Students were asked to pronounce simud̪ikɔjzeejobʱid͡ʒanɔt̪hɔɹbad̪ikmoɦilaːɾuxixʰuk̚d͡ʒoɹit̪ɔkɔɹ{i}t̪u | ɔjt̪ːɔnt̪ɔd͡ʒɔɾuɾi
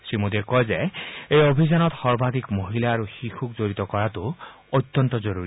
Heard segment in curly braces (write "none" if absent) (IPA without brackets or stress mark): a